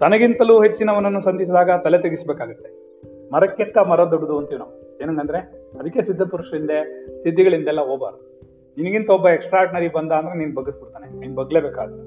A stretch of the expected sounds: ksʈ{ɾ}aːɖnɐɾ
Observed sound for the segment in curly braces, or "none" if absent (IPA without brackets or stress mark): ɾ